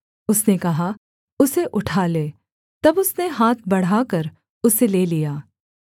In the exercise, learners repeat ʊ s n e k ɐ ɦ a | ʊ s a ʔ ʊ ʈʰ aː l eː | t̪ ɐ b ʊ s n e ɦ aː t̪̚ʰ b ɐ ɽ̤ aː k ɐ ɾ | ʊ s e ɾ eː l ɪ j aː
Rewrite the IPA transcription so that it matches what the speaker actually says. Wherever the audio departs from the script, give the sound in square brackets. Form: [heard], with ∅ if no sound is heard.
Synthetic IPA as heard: ʊ s n e k ɐ ɦ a | ʊ s [e] ʔ ʊ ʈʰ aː l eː | t̪ ɐ b ʊ s n e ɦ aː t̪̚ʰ b ɐ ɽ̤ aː k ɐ ɾ | ʊ s e [l] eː l [i] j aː